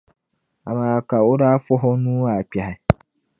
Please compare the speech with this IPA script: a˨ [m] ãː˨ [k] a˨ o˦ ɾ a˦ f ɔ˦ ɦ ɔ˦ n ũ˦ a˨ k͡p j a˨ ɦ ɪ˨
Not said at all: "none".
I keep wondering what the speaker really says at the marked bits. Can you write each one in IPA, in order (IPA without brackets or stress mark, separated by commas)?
m, k